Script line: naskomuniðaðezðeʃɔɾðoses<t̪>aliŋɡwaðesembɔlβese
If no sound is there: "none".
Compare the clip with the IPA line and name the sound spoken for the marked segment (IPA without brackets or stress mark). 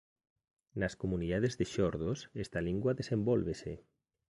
t̪